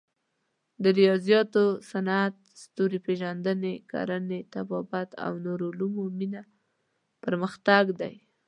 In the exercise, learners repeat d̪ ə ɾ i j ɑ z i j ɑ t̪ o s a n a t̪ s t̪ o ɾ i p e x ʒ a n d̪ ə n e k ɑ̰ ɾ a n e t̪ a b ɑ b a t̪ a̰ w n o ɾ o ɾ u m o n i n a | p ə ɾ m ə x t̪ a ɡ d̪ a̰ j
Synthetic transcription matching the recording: d̪ ə ɾ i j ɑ z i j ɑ t̪ o s a n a t̪ s t̪ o ɾ i p e ʒ a n d̪ ə n e k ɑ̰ ɾ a n e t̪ a b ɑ b a t̪ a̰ w n o ɾ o l u m o m i n a | p ə ɾ m ə x t̪ a ɡ d̪ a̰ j